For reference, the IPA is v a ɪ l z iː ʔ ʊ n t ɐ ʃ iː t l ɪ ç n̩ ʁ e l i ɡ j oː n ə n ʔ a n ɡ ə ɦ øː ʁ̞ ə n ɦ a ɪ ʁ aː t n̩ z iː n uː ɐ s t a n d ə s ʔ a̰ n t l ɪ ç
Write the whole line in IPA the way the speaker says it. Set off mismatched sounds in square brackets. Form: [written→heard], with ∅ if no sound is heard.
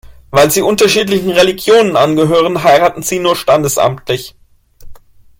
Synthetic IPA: v a ɪ l z iː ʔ ʊ n t ɐ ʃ iː t l ɪ ç n̩ ʁ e l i ɡ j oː n ə n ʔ a n ɡ ə ɦ øː ʁ̞ ə n ɦ a ɪ ʁ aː t n̩ z iː n uː ɐ [s→ʃ] t a n d ə s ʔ a̰ [n→m] t l ɪ ç